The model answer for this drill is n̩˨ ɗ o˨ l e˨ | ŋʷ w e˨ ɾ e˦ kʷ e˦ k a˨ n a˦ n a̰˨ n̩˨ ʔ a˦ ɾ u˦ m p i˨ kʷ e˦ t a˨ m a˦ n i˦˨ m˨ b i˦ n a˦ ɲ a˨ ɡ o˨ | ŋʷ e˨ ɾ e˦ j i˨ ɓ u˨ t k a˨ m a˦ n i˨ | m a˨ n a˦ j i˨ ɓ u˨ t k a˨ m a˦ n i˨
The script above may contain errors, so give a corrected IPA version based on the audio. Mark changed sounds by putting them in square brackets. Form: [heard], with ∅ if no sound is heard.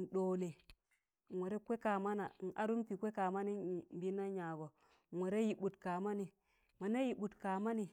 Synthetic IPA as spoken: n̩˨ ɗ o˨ l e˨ | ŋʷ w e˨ ɾ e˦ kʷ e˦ k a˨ [m] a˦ n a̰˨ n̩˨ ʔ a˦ ɾ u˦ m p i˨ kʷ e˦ [k] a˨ m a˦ n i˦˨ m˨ b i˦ n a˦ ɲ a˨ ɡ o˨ | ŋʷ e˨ ɾ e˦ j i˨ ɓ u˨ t k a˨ m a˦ n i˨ | m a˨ n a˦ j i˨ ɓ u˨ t k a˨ m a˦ n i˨